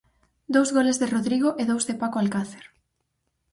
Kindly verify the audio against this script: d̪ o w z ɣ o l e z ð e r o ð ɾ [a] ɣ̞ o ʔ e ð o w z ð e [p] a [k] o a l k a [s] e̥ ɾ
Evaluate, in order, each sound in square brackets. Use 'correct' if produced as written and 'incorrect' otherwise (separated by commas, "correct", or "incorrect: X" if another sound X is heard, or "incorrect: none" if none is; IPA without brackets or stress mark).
incorrect: i, correct, correct, incorrect: θ